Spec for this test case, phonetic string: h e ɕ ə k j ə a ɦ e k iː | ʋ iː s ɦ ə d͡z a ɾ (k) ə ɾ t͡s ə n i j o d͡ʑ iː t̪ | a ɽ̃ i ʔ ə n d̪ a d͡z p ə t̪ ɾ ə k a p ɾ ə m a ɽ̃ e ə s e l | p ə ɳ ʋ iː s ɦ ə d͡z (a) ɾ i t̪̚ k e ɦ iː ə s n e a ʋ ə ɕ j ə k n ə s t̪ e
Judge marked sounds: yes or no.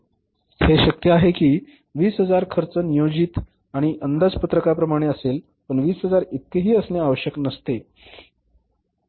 no, yes

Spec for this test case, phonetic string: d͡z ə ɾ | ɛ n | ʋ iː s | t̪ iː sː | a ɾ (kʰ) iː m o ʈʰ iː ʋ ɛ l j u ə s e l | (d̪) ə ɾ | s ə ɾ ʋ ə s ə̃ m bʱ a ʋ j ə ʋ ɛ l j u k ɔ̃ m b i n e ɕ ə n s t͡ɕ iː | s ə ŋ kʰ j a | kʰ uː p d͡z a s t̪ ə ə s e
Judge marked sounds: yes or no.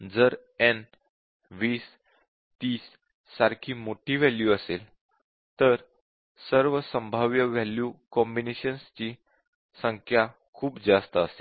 yes, no

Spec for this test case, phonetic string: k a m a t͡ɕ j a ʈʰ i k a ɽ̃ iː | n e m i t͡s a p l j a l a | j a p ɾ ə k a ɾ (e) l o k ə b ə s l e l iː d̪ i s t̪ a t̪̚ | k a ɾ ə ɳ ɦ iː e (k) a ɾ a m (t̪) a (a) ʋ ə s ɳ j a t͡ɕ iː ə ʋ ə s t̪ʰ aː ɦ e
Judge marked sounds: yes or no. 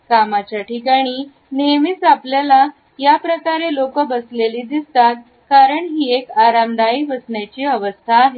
yes, yes, no, no

